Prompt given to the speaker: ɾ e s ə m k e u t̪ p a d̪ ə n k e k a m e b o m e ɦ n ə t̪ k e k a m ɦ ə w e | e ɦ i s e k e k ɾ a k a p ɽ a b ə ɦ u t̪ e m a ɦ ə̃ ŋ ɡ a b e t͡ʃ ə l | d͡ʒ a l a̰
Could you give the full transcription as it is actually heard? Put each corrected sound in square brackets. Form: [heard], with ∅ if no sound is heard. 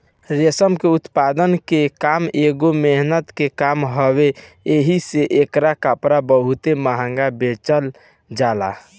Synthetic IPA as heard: ɾ e s ə m k e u t̪ p a d̪ ə n k e k a m e [ɡ] o m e ɦ n ə t̪ k e k a m ɦ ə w e | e ɦ i s e [ʔ] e k ɾ a k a p [ɾ] a b ə ɦ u t̪ e m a ɦ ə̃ ŋ ɡ a b e t͡ʃ ə l | d͡ʒ a l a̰